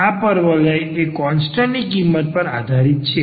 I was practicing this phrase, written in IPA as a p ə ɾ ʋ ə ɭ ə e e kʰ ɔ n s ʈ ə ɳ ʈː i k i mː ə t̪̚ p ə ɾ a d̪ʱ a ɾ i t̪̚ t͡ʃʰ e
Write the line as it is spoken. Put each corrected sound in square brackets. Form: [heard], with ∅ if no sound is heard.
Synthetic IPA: a p ə ɾ ʋ ə [l] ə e e [k] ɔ n s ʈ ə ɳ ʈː i k i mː ə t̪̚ p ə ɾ a d̪ʱ a ɾ i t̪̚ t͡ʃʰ e